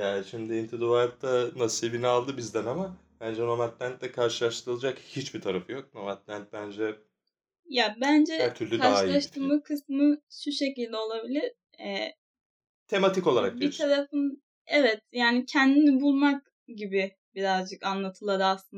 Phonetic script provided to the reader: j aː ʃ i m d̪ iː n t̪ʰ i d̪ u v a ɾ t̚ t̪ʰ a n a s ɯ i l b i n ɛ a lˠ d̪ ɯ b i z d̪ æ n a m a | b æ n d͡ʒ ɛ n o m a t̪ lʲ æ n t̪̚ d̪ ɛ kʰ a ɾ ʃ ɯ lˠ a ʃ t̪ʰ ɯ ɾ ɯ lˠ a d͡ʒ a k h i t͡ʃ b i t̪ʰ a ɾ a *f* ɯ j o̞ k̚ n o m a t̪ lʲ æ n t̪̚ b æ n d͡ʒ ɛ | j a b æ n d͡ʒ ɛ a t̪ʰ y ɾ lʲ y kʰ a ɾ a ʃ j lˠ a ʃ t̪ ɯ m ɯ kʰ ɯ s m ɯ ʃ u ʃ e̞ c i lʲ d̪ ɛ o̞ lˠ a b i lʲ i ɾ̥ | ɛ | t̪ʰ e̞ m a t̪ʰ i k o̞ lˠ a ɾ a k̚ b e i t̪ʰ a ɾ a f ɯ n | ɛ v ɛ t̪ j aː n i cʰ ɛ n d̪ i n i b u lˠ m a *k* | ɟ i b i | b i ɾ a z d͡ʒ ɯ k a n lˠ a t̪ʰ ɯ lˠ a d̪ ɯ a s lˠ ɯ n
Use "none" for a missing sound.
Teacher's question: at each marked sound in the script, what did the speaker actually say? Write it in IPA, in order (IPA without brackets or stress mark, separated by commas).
f, k